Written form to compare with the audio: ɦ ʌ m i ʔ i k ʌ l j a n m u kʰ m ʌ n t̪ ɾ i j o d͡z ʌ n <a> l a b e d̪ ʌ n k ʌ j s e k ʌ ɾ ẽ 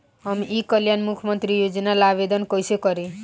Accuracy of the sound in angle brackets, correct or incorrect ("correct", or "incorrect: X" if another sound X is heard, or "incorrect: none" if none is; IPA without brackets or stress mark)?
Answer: correct